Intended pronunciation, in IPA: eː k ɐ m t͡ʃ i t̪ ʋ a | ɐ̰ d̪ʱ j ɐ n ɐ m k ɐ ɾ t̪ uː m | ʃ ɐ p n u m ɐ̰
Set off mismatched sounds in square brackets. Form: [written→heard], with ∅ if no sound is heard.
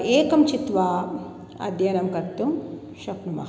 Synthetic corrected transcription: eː k ɐ m t͡ʃ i t̪ ʋ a | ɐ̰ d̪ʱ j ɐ n ɐ m k ɐ ɾ t̪ [uː→u] m | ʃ ɐ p n u m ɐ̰